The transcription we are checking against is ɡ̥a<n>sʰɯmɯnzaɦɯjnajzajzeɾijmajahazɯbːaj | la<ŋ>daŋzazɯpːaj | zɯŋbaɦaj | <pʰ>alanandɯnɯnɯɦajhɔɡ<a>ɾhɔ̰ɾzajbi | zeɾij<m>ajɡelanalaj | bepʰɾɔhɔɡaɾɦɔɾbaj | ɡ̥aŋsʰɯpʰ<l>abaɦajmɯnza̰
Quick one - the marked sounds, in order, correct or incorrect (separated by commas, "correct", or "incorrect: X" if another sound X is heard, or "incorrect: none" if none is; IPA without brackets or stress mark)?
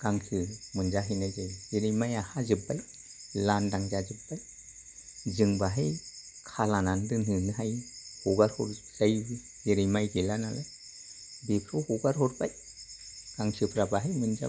incorrect: ŋ, incorrect: n, incorrect: kʰ, correct, correct, incorrect: ɾ